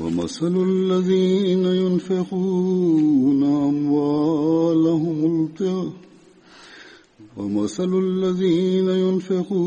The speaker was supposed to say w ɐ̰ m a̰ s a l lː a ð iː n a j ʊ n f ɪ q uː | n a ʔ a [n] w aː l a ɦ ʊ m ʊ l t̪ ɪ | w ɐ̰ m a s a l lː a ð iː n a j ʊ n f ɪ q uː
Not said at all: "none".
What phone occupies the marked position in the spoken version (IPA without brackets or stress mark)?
m